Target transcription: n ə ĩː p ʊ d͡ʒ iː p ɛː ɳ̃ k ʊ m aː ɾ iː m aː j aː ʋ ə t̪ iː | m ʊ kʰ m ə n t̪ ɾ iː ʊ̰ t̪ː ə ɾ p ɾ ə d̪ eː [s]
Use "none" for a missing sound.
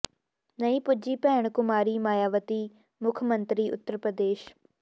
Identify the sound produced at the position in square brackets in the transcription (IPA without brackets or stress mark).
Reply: ʃ